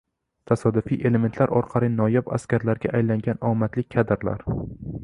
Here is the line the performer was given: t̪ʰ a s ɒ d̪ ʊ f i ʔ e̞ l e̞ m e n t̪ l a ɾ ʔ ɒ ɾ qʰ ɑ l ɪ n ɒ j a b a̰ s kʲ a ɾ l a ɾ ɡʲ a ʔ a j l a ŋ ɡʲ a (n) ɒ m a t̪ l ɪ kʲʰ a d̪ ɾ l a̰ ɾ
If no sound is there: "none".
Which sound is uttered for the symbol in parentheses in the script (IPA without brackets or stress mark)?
n